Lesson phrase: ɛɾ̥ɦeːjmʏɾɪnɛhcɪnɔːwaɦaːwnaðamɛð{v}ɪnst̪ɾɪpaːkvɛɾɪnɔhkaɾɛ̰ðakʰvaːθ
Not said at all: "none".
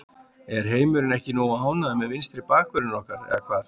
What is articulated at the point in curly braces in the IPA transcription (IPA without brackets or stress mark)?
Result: v